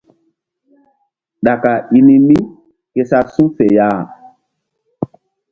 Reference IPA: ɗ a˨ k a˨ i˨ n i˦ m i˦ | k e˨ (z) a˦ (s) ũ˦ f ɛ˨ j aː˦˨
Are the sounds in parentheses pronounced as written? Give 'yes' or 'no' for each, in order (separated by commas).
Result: no, yes